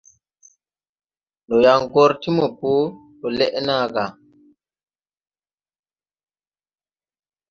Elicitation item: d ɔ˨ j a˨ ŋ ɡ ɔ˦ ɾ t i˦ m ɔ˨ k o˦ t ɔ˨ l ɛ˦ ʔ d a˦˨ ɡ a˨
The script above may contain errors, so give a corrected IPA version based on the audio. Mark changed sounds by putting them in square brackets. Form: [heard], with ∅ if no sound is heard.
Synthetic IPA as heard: [n] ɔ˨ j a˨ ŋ ɡ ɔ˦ ɾ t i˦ m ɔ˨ [p] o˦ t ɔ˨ l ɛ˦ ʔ [n] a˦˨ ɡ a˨

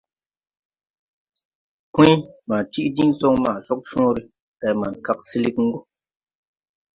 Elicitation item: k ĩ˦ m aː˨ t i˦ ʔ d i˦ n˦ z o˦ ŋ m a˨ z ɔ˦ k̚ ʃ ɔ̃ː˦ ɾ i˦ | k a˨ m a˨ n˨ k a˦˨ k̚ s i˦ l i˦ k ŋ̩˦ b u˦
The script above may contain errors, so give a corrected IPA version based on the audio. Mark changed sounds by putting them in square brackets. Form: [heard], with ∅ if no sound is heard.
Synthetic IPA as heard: k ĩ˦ m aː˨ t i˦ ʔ d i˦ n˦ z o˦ ŋ m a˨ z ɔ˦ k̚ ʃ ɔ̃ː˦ ɾ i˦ | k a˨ m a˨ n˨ k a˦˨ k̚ s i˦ l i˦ k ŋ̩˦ [ɡ] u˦

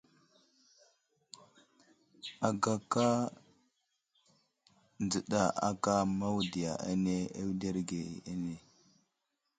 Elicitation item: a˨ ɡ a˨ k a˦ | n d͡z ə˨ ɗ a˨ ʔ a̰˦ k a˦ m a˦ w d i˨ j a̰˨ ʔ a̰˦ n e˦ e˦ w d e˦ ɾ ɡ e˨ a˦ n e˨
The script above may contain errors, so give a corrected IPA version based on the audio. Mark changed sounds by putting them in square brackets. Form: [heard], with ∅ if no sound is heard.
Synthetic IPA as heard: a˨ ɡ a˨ k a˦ | n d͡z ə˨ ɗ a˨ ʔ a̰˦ k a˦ m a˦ w d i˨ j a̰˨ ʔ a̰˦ n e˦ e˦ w d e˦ ɾ ɡ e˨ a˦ n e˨

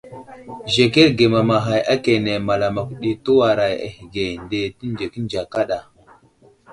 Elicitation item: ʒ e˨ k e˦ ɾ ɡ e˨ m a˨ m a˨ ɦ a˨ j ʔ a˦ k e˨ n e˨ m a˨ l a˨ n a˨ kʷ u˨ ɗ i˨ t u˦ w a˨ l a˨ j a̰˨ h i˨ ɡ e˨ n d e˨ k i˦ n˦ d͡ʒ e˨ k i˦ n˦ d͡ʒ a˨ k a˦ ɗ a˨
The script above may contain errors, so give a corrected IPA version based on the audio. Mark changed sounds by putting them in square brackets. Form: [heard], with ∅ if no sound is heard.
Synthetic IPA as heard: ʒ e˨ k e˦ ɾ ɡ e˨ m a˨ m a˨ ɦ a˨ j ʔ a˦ k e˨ n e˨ m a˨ l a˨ [m] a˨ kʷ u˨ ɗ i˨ t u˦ w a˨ [ɾ] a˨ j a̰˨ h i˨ ɡ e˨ n d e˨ [t] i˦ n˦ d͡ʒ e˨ k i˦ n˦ d͡ʒ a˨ k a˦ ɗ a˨

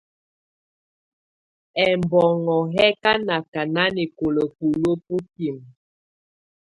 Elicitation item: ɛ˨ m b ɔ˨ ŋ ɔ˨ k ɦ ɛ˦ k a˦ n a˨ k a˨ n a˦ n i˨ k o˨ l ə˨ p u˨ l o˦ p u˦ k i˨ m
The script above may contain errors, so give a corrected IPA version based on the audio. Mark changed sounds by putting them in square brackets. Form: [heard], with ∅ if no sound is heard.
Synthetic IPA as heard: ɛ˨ m b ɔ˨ ŋ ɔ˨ [∅] ɦ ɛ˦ k a˦ n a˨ k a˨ n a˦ n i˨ k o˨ l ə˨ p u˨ l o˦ p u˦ k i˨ m

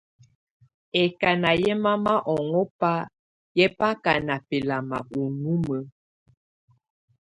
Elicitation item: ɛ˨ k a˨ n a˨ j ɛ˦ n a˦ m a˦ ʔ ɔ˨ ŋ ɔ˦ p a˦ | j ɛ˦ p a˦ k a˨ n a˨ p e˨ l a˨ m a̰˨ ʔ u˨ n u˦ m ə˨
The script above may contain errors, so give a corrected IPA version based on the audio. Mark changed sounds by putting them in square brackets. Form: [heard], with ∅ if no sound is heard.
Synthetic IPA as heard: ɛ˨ k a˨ n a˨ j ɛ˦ [m] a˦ m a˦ ʔ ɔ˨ ŋ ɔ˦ p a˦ | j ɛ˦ p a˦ k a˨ n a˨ p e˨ l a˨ m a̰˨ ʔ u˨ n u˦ m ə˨

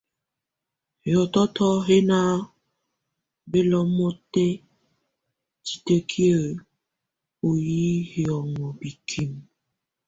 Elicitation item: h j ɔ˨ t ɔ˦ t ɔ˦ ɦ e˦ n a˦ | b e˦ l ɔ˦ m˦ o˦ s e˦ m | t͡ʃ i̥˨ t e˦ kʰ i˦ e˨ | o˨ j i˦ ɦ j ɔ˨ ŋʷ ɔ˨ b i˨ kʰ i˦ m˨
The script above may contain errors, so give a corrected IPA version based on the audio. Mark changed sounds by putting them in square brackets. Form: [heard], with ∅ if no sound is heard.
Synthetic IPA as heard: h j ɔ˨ t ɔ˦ t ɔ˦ ɦ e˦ n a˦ | b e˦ l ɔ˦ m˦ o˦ [t] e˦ [∅] | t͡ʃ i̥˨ t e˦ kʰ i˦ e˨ | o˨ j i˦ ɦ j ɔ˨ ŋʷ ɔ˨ b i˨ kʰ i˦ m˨

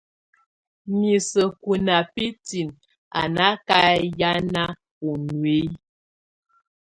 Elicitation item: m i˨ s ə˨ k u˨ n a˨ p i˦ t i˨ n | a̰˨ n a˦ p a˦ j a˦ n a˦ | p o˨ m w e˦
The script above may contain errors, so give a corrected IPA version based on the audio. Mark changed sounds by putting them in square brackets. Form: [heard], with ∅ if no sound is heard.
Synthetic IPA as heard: m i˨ s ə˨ k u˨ n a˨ p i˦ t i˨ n | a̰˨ n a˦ [k] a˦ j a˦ n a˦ | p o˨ [n] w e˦

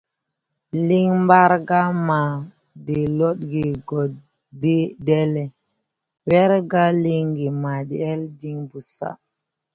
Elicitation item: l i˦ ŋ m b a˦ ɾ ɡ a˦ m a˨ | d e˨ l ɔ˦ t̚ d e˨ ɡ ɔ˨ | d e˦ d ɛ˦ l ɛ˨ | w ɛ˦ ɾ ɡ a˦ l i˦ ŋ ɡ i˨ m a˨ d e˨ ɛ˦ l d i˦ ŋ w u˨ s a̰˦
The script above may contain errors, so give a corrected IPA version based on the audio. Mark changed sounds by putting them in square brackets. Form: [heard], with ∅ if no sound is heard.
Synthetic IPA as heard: l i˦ ŋ m b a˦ ɾ ɡ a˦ m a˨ | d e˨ l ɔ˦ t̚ [ɡ] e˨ ɡ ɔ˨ | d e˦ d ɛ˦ l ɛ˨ | w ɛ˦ ɾ ɡ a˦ l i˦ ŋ ɡ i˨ m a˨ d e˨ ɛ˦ l d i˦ ŋ [b] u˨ s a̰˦

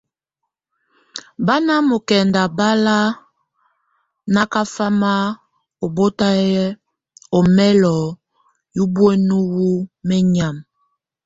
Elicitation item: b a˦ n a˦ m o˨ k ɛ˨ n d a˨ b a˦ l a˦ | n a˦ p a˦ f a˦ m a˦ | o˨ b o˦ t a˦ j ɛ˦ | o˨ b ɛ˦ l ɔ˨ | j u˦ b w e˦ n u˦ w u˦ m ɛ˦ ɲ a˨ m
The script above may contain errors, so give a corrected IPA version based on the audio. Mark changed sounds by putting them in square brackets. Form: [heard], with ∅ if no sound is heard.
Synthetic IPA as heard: b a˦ n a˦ m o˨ k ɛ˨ n d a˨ b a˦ l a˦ | n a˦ [k] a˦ f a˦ m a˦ | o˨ b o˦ t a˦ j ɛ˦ | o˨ [m] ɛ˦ l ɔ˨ | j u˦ b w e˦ n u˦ w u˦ m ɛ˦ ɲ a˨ m

